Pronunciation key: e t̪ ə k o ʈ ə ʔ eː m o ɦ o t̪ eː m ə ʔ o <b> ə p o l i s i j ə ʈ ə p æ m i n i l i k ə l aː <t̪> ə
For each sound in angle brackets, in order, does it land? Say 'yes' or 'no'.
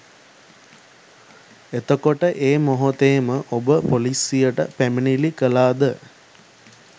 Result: yes, no

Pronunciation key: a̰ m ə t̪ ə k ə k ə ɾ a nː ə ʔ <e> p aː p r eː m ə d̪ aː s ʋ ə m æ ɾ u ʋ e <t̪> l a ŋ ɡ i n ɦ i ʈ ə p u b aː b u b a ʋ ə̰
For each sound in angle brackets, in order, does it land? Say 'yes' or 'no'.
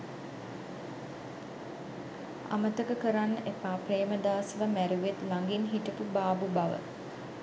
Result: yes, yes

